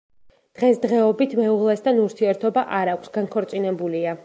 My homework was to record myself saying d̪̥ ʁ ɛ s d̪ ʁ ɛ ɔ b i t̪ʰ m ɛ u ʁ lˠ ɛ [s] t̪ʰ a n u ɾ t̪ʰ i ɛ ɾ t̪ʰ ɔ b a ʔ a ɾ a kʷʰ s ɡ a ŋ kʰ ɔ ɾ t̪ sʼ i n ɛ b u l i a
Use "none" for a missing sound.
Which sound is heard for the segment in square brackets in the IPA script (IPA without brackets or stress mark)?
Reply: s